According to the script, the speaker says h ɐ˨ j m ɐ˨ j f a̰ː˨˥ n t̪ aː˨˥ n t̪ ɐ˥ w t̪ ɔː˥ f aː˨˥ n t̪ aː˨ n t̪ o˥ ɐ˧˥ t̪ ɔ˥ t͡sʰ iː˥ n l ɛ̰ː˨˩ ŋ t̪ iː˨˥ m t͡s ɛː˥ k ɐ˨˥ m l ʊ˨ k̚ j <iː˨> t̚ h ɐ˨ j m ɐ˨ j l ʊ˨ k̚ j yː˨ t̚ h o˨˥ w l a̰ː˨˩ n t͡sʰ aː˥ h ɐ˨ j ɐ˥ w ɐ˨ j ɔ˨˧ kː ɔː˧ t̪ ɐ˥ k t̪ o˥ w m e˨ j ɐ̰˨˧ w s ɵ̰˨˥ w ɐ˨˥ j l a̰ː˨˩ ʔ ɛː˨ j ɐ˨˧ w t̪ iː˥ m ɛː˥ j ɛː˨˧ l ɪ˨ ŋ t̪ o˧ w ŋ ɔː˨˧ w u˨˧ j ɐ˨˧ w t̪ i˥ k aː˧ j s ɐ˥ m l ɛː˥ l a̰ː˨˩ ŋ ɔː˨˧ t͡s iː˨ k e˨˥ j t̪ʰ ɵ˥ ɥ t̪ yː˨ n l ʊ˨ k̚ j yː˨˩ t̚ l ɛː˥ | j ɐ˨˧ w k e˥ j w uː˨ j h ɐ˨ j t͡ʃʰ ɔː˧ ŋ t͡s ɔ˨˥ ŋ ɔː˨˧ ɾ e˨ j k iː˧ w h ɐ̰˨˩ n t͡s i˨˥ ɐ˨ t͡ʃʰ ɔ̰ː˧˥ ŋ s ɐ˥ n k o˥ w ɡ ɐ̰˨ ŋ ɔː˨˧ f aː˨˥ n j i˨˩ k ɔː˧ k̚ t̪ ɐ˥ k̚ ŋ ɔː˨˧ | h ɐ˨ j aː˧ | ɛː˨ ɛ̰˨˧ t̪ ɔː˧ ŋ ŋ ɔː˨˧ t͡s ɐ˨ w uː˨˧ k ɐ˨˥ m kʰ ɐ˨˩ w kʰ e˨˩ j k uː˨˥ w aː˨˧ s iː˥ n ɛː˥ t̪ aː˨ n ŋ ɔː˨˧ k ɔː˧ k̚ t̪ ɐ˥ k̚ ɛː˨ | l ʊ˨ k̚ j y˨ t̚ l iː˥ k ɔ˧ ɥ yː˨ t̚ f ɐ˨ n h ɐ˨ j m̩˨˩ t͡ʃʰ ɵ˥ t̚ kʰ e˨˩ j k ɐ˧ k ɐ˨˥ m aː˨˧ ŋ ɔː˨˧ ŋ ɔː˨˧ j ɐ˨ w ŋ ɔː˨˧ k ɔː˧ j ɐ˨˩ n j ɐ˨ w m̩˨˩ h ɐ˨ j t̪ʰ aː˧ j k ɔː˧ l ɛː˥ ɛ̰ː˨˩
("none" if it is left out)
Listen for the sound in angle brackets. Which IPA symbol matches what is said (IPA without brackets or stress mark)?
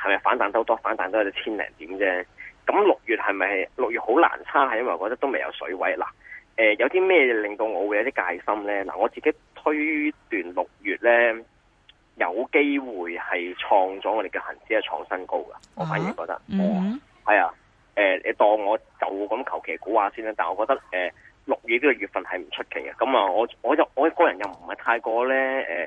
yː˨